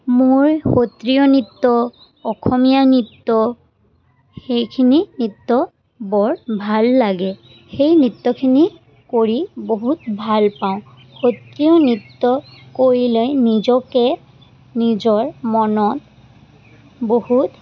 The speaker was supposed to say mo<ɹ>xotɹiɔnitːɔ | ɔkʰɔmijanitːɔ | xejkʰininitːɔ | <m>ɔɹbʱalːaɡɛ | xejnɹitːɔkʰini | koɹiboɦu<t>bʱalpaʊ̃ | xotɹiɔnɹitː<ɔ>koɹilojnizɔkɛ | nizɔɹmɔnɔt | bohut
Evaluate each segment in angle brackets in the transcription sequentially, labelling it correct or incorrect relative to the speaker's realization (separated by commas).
correct, incorrect, correct, correct